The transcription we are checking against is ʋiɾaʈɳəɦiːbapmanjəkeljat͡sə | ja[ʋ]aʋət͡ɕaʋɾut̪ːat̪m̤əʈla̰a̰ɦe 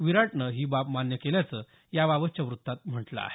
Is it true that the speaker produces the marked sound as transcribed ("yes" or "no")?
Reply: yes